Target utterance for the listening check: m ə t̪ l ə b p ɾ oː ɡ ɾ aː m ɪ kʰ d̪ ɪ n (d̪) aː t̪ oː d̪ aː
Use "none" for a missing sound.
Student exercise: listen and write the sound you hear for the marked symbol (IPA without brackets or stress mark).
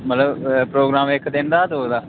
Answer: d̪